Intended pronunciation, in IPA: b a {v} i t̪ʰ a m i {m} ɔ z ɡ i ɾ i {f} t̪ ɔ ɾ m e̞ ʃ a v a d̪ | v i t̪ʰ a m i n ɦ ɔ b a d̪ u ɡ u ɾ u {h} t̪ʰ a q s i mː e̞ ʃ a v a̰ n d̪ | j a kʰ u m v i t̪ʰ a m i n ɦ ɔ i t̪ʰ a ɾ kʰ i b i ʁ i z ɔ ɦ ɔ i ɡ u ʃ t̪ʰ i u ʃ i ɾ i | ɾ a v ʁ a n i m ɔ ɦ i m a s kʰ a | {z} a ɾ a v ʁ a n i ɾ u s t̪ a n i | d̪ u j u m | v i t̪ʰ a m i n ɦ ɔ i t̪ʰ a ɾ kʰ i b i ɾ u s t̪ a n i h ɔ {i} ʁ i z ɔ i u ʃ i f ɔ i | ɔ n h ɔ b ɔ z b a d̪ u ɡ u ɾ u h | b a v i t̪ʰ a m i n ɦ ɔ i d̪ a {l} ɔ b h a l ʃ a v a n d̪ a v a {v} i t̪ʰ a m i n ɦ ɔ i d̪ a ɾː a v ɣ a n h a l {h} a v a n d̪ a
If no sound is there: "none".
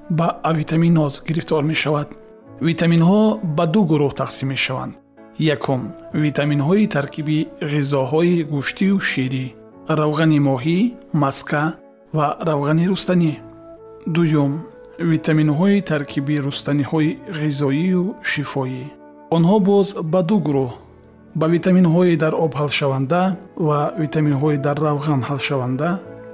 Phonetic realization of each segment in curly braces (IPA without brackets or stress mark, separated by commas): v, n, f, h, v, i, ɾ, v, ʃ